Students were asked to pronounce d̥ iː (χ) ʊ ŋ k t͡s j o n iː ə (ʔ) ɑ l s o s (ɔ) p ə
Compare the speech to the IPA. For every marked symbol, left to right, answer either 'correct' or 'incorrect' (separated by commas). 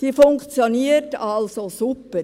incorrect, incorrect, incorrect